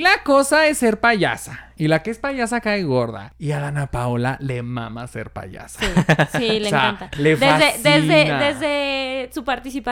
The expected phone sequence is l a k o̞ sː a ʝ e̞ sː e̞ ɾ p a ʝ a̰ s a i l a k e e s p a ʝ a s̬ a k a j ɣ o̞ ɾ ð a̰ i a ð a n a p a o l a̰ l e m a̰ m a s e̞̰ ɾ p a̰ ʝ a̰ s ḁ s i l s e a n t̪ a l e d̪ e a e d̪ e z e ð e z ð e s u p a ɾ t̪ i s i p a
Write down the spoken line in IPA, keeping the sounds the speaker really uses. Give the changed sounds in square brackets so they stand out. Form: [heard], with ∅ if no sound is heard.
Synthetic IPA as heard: l a k o̞ [s] a [∅] e̞ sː e̞ ɾ p a ʝ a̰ s a i l a k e e s p a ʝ a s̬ a k a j ɣ o̞ ɾ ð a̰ i a ð a n a p a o l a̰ l e m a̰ m a s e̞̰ ɾ p a̰ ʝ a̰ s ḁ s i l s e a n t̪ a l e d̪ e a e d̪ e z e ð e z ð e s u p a ɾ t̪ i s i p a